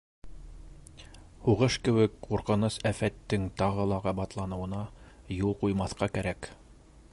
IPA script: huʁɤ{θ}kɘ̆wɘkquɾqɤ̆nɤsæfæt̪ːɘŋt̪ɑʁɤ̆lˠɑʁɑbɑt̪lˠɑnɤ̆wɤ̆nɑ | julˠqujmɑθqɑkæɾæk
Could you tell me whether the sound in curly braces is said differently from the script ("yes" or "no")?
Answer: yes